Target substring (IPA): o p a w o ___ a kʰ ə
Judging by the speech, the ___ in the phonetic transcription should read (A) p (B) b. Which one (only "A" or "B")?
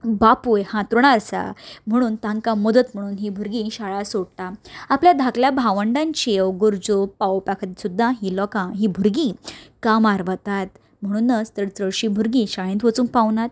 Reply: A